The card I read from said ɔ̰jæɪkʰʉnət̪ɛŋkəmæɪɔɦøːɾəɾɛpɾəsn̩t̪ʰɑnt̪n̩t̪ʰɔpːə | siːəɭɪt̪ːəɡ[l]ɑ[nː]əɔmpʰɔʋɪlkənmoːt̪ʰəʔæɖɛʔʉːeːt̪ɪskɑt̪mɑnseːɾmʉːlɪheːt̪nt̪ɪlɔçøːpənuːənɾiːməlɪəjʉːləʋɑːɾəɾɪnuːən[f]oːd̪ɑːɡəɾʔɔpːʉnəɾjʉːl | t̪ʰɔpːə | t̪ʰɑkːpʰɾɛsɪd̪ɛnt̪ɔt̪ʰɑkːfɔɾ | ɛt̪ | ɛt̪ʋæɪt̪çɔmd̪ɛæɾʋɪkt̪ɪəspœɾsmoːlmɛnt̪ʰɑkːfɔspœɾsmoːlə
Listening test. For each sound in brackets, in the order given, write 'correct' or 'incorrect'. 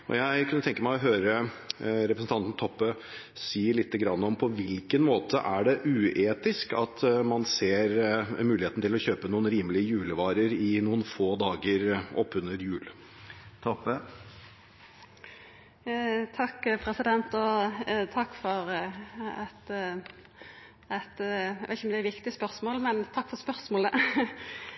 incorrect: ɾ, correct, correct

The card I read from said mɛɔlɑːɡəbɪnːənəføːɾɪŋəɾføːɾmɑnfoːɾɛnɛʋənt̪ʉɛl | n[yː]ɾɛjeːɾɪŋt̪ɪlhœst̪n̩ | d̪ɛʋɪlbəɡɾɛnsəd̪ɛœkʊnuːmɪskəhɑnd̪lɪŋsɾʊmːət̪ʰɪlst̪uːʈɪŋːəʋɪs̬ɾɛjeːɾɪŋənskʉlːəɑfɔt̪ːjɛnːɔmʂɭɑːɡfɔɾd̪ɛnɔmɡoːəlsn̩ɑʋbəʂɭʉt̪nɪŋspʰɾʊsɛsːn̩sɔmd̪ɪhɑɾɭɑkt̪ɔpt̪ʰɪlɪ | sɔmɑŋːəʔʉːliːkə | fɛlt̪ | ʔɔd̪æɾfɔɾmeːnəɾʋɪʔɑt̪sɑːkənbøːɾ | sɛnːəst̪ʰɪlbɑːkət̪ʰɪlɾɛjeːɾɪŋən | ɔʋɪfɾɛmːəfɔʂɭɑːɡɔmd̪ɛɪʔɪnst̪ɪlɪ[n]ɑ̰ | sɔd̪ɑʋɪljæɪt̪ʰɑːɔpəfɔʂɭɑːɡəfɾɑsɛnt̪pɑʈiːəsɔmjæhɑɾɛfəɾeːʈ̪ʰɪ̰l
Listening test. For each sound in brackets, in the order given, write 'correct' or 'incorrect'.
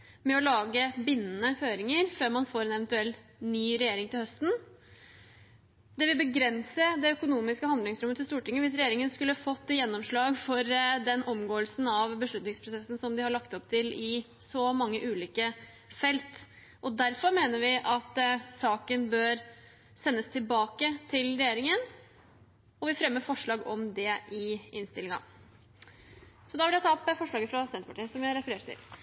correct, incorrect: ŋ

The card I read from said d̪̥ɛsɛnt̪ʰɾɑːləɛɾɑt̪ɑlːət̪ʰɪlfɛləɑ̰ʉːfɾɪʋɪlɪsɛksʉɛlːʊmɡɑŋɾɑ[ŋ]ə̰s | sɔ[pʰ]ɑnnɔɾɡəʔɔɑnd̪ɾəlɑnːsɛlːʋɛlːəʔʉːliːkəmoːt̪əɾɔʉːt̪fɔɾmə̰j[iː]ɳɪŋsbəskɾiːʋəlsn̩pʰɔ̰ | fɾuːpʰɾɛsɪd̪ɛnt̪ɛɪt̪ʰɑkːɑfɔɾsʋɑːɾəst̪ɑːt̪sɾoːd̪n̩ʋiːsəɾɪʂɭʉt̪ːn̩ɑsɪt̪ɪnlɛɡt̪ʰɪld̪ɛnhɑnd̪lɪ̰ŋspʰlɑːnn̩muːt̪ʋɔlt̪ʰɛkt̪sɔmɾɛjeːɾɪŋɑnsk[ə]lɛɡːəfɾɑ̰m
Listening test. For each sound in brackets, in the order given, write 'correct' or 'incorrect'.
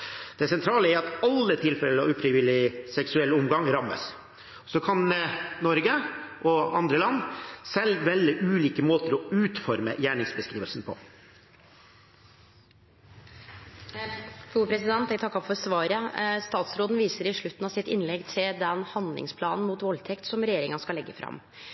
incorrect: m, incorrect: kʰ, incorrect: æː, incorrect: ɑ

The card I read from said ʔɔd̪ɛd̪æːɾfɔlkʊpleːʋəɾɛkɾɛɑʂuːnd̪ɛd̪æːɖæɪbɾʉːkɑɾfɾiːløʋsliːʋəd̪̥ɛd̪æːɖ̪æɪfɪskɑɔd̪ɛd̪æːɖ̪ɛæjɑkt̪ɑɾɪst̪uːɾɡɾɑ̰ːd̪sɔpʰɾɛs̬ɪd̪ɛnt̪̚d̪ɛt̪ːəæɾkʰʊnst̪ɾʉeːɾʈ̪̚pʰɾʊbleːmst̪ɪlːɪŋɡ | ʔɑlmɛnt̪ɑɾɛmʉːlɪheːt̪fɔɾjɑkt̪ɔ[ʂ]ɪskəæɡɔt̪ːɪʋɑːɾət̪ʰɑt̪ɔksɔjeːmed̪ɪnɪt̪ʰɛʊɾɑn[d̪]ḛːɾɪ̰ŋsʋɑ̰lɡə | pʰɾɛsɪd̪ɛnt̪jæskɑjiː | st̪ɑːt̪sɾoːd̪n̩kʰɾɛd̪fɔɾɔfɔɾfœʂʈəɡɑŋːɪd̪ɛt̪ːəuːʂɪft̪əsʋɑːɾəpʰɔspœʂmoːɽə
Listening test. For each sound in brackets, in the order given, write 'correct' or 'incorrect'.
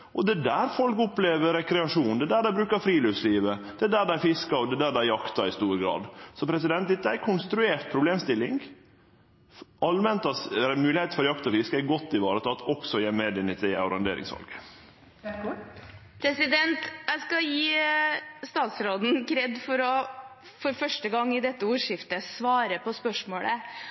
incorrect: f, correct

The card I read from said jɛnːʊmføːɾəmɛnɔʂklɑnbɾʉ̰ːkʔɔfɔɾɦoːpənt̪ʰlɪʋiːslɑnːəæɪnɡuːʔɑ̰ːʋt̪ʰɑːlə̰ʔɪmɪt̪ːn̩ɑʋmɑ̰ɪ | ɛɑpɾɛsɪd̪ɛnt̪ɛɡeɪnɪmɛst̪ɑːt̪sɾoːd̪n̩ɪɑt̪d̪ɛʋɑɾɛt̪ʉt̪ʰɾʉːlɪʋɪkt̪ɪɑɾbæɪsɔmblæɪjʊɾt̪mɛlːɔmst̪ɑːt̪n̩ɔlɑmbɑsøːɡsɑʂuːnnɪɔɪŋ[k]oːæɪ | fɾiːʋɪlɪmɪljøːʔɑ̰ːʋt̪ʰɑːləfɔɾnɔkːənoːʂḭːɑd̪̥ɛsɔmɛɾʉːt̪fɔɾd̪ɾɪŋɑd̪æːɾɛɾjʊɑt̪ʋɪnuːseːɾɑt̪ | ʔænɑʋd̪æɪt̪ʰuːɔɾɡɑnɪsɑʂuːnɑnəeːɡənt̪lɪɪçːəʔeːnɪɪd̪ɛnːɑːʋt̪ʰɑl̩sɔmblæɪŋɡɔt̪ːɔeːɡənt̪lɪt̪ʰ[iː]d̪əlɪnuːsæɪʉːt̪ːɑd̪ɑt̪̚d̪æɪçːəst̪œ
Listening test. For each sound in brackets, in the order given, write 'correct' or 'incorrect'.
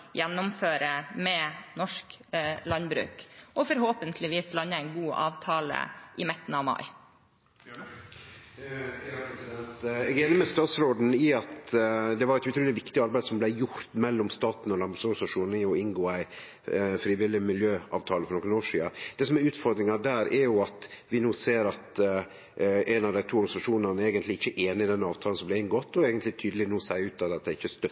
incorrect: ɡ, incorrect: yː

